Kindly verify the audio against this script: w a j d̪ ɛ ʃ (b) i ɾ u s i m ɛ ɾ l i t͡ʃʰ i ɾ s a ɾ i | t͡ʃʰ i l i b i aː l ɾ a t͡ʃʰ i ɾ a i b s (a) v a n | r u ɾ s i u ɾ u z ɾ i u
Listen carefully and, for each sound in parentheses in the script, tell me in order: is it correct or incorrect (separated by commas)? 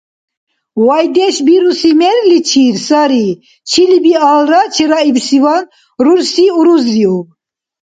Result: correct, incorrect